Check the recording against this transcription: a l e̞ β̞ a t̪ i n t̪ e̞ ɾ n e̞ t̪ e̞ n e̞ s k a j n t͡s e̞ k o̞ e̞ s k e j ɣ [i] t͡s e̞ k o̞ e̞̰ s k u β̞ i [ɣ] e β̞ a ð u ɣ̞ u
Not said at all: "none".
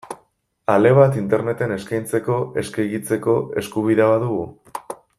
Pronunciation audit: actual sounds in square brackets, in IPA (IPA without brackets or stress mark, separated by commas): i, ð